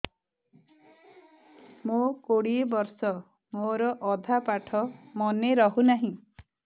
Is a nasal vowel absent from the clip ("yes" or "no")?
no